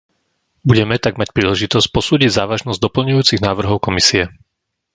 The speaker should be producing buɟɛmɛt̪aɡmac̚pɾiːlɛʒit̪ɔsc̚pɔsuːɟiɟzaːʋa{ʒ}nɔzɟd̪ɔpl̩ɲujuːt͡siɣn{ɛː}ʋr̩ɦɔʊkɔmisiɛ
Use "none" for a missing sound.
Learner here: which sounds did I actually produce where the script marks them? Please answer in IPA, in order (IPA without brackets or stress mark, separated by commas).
ʒ, aː